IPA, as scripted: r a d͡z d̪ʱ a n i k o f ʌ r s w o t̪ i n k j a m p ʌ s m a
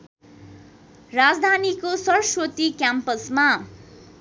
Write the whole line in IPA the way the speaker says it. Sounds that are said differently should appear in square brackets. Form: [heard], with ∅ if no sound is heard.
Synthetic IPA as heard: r a d͡z d̪ʱ a n i k o [s] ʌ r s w o t̪ i [∅] k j a m p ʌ s m a